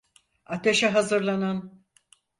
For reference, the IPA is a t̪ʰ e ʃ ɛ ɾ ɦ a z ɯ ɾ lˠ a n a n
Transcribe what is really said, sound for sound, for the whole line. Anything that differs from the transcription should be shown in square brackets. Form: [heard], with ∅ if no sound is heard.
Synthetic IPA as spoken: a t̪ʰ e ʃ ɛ [∅] ɦ a z ɯ ɾ lˠ a n a n